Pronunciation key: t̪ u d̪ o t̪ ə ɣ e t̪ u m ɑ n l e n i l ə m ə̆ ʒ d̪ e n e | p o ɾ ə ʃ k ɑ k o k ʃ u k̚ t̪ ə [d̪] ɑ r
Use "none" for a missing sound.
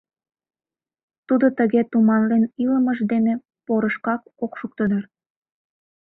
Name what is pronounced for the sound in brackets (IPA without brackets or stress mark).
d̪